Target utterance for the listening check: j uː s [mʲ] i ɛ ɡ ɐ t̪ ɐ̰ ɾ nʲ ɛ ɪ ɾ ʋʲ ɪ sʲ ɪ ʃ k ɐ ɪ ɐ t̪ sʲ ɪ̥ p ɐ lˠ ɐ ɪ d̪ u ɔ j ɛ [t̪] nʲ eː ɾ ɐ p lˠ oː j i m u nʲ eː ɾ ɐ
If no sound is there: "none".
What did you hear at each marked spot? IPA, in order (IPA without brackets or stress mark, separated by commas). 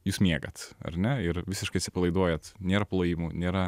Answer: mʲ, t̪